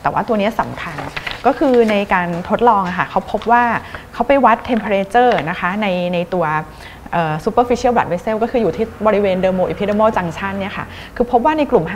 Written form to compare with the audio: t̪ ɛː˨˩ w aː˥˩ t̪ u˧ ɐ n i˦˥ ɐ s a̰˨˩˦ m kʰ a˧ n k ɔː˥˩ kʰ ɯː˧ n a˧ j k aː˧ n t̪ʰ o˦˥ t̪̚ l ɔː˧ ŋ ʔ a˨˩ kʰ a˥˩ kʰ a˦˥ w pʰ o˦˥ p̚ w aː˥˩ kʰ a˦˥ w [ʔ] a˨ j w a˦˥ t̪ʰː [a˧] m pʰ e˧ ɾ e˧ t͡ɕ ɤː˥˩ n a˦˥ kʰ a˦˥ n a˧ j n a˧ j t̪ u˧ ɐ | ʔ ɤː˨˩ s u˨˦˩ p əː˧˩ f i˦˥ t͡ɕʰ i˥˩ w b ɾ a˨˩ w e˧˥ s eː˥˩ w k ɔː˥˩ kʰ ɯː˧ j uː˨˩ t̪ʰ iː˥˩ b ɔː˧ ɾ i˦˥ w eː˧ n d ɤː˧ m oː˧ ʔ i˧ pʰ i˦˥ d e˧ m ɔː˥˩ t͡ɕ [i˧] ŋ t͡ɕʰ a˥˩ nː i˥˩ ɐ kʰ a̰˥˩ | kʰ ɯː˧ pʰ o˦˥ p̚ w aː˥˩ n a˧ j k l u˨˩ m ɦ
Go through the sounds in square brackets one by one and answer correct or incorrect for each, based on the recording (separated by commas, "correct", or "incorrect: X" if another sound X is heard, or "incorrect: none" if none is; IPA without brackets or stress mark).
incorrect: p, incorrect: e˧, incorrect: a˧